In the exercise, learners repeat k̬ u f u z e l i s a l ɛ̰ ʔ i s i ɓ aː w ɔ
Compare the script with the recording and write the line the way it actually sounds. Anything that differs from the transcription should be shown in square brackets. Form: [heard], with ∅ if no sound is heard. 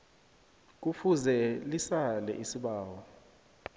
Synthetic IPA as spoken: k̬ u f u z [ɛ] l i s a l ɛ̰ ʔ i s i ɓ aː w ɔ